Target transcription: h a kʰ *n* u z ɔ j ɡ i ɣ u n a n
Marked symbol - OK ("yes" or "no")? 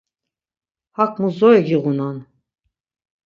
no